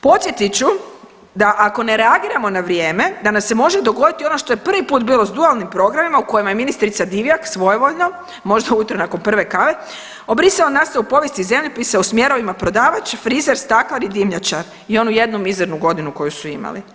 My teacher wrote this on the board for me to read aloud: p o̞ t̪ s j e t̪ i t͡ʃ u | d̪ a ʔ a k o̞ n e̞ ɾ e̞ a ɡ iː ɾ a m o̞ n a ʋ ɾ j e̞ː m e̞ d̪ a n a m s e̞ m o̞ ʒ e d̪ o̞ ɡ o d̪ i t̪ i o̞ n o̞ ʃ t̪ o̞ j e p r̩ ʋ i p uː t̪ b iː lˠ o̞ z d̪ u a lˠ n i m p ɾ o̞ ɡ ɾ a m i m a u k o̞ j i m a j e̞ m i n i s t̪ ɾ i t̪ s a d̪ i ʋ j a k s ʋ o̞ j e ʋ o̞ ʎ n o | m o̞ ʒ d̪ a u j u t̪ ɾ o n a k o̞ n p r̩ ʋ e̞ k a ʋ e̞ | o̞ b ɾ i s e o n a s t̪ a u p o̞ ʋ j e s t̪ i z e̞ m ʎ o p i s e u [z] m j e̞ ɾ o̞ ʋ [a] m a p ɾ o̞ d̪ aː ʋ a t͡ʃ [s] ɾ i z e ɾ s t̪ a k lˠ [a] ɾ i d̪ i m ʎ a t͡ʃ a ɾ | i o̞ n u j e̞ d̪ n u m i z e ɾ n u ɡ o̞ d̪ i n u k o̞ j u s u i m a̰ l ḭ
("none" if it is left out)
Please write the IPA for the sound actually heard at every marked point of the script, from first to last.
s, i, f, a

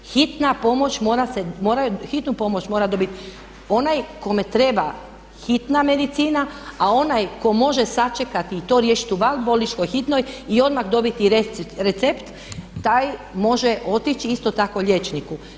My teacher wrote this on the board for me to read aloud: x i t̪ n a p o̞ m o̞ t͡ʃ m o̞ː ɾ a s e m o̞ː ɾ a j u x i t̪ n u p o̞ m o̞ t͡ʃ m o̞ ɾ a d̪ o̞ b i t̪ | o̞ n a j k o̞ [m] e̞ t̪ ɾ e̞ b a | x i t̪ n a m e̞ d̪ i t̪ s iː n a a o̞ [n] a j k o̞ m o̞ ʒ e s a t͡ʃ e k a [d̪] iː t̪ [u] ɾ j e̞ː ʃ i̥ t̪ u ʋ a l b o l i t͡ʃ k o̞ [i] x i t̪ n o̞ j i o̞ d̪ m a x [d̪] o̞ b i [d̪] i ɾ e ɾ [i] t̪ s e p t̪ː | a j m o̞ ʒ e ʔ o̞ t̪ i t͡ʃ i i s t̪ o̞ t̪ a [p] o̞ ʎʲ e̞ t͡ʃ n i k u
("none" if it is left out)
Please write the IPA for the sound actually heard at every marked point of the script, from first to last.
m, n, t̪, o, j, d̪, t̪, e, k

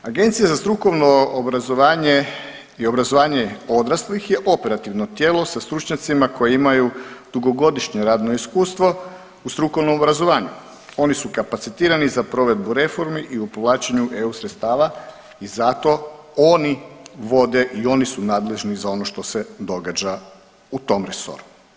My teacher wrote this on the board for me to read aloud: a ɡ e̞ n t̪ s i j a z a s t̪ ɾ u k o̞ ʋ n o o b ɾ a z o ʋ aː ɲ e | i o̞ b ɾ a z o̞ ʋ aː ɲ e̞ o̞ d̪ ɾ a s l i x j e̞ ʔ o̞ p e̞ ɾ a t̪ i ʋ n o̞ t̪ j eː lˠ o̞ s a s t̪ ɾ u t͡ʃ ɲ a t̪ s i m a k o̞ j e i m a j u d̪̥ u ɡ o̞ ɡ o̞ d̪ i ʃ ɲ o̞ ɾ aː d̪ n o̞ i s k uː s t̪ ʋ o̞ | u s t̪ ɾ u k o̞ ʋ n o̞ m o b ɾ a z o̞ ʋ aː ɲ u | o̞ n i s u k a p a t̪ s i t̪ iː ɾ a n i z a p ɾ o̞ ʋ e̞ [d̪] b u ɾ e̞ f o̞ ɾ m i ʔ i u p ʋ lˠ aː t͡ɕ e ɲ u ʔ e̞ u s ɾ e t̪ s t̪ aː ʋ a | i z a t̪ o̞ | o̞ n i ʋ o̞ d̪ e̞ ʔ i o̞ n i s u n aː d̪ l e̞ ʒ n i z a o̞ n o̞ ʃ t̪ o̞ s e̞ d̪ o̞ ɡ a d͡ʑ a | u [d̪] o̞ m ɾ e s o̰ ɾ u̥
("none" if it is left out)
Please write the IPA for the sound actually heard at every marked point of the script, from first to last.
d̪, t̪

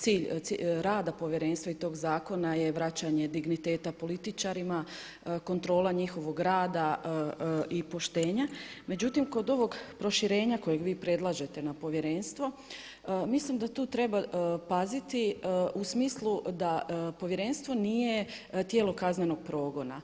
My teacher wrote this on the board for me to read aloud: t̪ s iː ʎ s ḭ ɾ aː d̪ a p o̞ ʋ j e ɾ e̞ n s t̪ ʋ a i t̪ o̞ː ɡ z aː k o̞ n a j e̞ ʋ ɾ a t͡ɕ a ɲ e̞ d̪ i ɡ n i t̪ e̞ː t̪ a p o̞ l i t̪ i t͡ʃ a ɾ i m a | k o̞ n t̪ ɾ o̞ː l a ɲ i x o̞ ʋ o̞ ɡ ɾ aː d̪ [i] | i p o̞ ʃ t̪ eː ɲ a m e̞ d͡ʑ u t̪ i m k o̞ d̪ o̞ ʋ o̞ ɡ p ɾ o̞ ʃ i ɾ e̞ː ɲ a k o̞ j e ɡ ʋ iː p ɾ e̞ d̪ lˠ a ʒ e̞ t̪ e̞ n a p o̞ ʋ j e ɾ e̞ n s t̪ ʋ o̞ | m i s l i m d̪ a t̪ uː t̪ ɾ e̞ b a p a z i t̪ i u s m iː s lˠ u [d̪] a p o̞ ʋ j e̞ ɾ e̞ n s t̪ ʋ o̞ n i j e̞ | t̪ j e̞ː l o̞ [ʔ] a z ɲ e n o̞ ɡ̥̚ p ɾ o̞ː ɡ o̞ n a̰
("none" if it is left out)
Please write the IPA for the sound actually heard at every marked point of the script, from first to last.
a, d̪, k

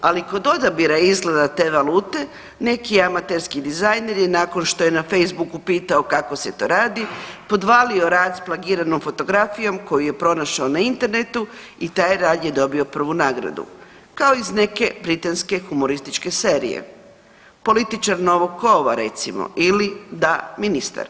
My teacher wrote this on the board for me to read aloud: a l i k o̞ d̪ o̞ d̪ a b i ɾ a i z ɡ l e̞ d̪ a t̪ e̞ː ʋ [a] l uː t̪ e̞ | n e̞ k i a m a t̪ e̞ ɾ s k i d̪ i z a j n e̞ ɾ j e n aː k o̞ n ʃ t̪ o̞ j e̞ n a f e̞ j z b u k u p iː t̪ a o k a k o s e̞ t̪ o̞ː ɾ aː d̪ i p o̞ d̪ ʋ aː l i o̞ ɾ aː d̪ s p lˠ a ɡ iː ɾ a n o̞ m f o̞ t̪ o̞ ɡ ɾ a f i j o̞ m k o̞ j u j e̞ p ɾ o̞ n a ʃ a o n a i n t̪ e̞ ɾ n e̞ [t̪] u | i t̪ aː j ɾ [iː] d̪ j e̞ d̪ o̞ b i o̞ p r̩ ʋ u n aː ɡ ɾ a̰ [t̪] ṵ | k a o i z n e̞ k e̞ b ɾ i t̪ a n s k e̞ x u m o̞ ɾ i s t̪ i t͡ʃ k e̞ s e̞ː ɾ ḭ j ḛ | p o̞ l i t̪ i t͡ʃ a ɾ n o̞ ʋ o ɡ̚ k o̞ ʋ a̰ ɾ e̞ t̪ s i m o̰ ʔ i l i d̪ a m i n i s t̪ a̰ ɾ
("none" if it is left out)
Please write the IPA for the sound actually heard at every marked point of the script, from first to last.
a, t̪, aː, d̪

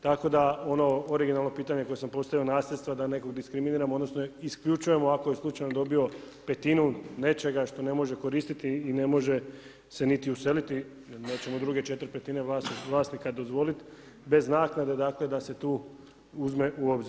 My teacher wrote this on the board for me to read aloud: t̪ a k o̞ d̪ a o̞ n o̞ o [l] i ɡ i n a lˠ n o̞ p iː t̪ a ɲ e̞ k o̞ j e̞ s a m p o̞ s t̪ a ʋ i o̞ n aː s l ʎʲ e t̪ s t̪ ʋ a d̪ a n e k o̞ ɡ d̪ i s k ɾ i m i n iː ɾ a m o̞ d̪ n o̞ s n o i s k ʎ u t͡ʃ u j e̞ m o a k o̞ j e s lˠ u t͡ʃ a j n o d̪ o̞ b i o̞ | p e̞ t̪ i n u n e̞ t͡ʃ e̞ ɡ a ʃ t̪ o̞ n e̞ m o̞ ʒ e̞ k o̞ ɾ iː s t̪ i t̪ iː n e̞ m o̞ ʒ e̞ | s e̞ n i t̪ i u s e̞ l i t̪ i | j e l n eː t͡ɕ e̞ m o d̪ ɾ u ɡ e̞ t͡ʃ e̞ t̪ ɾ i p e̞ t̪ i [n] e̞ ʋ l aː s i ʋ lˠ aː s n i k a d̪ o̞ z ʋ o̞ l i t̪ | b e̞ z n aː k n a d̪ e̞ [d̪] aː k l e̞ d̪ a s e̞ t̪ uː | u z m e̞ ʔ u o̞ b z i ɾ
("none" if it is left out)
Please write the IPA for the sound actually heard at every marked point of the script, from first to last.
ɾ, n, d̪

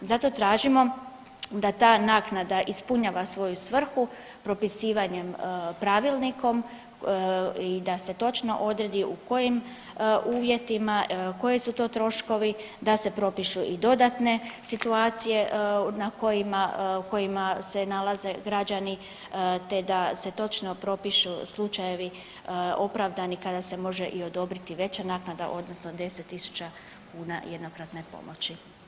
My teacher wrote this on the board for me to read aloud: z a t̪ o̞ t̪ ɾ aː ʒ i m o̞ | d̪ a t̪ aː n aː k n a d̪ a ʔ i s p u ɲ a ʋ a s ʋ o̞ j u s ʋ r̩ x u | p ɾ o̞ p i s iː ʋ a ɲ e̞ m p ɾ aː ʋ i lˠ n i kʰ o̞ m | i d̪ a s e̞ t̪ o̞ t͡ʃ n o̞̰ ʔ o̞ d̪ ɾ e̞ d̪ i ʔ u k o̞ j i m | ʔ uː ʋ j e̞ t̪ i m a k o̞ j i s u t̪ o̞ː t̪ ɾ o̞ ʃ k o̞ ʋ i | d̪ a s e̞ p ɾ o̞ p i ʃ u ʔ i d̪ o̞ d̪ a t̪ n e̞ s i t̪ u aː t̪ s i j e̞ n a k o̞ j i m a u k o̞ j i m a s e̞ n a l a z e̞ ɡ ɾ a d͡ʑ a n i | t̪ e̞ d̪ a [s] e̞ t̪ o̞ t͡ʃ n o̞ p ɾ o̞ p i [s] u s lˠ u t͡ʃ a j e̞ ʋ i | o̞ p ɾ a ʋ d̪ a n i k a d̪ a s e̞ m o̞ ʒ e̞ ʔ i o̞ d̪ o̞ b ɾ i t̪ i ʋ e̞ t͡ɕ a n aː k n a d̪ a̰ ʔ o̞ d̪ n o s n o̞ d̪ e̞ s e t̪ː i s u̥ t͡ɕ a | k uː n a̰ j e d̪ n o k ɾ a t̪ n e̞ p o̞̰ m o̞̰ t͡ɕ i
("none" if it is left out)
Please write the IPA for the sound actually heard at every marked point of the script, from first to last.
s, ʃ

